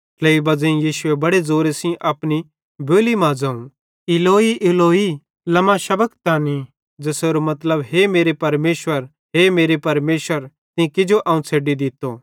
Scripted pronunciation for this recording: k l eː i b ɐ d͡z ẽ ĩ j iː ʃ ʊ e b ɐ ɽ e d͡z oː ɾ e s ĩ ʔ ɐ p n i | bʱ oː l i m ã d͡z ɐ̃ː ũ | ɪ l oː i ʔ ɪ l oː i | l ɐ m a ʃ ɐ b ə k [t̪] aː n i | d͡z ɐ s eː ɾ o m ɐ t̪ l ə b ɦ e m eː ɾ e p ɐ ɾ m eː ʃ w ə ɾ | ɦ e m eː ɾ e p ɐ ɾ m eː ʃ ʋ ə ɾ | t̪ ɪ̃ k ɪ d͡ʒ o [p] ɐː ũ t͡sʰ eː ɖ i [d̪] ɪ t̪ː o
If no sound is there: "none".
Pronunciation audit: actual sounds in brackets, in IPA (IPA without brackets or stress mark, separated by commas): t̪, ʔ, d̪